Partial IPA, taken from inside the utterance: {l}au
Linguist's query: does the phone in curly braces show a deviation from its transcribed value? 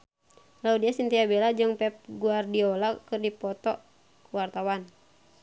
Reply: no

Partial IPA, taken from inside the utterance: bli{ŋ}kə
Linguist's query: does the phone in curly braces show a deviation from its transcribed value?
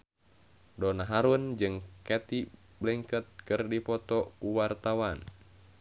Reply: no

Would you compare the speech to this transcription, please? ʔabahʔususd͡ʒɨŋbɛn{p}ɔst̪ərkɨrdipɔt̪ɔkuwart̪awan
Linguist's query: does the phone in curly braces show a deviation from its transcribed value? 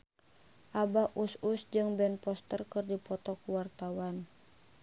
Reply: no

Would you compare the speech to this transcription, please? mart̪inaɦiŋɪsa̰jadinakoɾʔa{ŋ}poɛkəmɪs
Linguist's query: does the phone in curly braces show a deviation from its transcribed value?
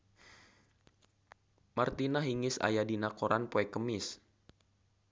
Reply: yes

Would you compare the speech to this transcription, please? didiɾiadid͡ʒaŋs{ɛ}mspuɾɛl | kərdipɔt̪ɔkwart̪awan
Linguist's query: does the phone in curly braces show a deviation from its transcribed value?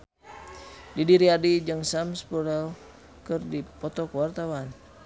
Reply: yes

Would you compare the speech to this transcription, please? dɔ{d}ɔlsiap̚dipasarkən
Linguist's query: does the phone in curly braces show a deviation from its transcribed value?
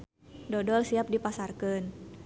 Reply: no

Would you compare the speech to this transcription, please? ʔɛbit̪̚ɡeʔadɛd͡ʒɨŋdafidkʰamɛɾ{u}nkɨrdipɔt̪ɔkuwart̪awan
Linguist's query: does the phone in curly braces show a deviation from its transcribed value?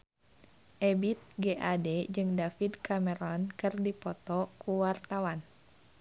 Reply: yes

